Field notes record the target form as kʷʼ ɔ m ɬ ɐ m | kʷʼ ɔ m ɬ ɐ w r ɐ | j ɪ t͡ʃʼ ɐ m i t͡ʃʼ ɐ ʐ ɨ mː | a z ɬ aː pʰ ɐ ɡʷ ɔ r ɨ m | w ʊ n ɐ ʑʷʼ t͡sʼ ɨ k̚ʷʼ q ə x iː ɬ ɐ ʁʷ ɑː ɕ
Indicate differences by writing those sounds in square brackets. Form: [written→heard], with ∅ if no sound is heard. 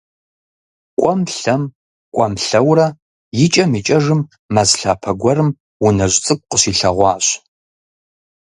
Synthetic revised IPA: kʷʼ ɔ m ɬ ɐ m | kʷʼ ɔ m ɬ ɐ w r ɐ | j ɪ t͡ʃʼ ɐ m i t͡ʃʼ ɐ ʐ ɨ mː | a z ɬ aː pʰ ɐ ɡʷ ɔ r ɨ m | w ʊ n ɐ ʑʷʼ t͡sʼ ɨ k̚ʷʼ q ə [x→ɕ] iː ɬ ɐ ʁʷ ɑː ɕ